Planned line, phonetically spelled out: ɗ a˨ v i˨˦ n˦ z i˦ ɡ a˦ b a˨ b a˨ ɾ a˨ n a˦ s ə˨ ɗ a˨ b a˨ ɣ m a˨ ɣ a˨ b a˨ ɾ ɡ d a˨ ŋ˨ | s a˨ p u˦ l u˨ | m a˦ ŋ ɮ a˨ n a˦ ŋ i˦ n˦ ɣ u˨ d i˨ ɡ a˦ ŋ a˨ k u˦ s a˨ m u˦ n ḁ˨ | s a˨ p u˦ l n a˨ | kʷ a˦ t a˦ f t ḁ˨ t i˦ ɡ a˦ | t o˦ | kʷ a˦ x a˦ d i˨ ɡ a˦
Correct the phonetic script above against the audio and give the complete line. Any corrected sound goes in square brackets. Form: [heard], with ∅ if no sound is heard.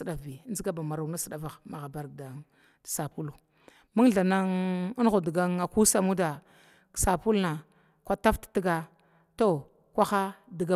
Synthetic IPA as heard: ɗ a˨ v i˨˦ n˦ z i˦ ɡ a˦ b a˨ [m] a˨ ɾ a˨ n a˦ s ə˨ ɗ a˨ [v] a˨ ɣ m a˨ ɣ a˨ b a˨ ɾ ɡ d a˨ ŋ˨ | s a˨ p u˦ l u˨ | m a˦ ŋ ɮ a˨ n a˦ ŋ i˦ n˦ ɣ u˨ d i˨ ɡ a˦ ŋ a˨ k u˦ s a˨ m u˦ [d] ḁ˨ | s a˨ p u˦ l n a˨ | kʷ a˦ t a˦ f t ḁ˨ t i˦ ɡ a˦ | t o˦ | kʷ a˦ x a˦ d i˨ ɡ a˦